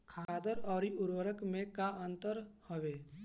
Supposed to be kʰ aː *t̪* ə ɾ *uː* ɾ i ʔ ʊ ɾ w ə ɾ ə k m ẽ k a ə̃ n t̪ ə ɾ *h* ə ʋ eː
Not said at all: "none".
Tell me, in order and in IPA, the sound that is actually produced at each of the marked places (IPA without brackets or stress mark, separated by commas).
d̪, ɔː, h